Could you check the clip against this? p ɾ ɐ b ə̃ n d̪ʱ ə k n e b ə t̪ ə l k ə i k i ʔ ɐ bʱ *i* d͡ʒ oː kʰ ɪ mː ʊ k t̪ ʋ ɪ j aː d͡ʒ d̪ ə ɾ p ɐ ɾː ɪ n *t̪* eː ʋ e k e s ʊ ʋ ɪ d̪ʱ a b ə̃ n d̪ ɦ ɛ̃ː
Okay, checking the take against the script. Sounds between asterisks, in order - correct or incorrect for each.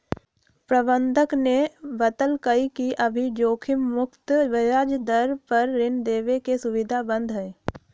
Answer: correct, incorrect: d̪

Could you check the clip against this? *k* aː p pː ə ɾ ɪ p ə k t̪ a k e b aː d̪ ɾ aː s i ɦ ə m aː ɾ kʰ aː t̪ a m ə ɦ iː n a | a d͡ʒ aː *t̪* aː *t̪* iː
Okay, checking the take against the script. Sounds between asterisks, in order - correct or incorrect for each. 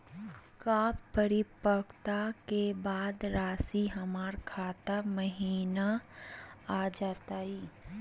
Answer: correct, correct, incorrect: none

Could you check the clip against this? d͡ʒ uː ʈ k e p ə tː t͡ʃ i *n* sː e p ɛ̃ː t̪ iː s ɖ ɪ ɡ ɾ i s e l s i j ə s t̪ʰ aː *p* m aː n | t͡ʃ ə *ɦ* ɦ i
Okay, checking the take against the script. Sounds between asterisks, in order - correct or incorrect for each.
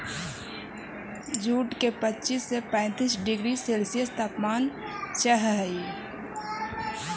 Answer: incorrect: none, correct, correct

